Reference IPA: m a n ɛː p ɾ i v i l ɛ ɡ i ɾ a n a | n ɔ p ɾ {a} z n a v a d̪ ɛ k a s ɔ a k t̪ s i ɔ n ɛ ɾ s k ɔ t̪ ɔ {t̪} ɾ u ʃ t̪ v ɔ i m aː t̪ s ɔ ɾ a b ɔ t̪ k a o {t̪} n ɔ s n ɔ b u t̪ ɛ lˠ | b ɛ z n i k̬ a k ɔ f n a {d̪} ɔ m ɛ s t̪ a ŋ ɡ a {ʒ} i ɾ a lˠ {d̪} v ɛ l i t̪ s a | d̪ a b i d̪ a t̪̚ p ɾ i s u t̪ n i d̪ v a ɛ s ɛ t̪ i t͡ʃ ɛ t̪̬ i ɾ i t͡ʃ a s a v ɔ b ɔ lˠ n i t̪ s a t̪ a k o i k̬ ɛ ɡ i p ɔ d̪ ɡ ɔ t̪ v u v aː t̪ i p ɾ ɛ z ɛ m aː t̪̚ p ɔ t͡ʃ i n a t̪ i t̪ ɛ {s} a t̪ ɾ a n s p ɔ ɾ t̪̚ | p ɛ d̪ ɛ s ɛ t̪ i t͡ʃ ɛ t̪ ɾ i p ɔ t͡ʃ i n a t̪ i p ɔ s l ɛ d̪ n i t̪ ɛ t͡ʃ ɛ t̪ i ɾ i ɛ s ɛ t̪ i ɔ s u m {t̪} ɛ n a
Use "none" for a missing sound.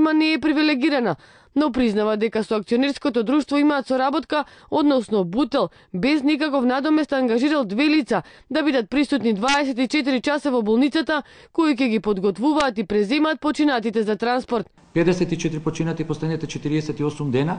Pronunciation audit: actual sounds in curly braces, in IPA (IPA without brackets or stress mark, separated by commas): i, d̪, d̪, d̪, ʒ, d̪, z, d̪